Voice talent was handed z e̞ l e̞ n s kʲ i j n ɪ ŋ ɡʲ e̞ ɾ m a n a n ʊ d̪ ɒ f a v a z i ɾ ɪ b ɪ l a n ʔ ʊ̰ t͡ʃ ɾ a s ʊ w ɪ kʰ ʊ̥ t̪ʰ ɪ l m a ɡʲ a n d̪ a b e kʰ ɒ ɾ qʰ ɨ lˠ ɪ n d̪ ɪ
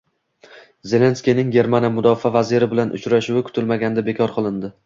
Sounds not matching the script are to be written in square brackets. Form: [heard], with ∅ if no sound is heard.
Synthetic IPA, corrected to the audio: z e̞ l e̞ n s kʲ i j n ɪ ŋ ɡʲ e̞ ɾ m a n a [m] ʊ d̪ ɒ f a v a z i ɾ ɪ b ɪ l a n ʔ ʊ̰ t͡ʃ ɾ a [ʃ] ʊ w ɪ kʰ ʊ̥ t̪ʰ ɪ l m a ɡʲ a n d̪ a b e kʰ ɒ ɾ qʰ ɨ lˠ ɪ n d̪ ɪ